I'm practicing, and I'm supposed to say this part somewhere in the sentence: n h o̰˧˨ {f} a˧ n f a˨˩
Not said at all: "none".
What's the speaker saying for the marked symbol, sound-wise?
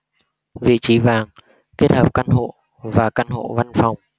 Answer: v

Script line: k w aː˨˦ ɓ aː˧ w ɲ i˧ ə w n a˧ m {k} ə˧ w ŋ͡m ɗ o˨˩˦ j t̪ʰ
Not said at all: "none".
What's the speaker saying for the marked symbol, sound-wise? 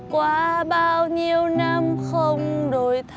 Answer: x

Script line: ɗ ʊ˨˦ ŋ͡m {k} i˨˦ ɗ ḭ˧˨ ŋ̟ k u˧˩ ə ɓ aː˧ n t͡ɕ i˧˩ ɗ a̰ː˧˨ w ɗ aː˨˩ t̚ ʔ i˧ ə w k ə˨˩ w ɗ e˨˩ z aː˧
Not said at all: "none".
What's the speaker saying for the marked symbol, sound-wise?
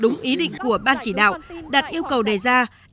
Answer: ʔ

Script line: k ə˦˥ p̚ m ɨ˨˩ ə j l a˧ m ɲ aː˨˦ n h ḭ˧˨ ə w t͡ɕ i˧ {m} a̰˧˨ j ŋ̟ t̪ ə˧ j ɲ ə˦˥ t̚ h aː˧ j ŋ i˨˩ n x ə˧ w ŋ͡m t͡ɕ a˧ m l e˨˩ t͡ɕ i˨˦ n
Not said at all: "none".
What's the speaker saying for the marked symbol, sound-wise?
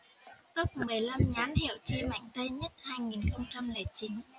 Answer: m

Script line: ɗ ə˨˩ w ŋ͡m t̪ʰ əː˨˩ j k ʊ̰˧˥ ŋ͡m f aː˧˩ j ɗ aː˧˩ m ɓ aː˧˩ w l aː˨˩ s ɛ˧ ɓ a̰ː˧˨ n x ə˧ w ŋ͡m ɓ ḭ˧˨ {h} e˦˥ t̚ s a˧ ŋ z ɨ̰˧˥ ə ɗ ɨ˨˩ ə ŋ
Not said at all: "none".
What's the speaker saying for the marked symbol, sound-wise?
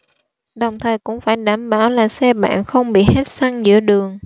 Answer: h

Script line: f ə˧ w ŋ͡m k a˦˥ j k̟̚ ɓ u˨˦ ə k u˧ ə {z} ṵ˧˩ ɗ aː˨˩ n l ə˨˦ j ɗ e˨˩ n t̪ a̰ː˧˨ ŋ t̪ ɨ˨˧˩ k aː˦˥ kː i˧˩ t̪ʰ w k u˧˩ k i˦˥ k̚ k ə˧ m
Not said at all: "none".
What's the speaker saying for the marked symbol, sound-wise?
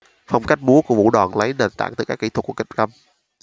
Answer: v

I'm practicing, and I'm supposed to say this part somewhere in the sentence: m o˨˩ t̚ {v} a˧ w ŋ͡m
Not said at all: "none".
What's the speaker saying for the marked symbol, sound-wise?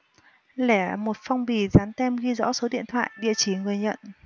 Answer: f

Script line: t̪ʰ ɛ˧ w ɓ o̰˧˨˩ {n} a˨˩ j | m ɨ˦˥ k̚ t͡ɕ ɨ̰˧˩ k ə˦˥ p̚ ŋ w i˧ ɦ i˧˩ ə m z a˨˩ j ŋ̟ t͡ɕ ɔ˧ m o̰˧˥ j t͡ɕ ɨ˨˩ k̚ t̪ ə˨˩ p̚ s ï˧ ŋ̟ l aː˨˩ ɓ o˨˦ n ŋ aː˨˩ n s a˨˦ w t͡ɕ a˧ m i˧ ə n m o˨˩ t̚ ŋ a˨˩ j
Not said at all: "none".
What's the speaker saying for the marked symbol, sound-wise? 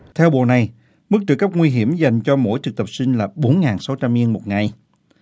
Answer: n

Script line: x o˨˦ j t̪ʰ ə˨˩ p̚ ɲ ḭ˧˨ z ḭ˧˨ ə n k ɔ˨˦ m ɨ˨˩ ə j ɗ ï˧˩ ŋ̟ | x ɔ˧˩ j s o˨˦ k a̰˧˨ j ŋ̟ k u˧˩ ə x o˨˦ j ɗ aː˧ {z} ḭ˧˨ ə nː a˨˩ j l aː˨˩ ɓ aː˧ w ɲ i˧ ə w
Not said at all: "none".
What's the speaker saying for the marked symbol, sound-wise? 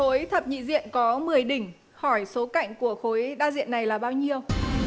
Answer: z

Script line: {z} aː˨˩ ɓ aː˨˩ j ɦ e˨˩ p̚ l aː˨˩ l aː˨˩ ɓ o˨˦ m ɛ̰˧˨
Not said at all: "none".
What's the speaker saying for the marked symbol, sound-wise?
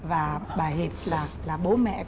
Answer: v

